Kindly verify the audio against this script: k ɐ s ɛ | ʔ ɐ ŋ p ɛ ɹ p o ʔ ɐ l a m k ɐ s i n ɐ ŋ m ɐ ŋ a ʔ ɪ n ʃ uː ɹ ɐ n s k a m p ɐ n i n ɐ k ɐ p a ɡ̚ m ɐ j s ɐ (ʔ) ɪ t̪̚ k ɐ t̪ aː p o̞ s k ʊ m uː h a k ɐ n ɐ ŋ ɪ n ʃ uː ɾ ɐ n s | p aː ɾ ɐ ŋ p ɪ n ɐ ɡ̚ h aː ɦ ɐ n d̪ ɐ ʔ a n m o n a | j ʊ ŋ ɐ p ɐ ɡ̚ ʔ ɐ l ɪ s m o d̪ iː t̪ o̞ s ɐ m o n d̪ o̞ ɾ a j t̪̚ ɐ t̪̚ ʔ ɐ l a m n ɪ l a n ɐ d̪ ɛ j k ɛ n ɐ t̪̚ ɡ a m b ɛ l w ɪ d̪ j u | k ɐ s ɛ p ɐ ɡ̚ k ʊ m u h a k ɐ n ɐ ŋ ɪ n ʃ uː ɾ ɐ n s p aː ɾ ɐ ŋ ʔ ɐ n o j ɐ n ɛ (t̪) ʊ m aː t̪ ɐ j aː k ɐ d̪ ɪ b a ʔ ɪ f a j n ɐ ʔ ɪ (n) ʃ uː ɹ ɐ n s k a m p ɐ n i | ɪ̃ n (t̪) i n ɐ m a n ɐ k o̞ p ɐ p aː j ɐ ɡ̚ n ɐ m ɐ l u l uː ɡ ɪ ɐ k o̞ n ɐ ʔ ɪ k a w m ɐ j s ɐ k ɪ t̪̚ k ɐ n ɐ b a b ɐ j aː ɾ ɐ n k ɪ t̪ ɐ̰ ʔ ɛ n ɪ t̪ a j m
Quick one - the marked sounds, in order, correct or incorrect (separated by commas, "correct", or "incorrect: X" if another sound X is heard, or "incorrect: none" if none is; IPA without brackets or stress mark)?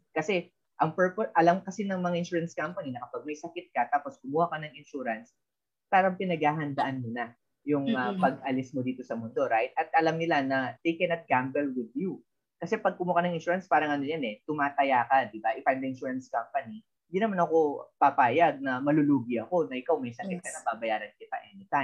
incorrect: k, correct, correct, incorrect: d̪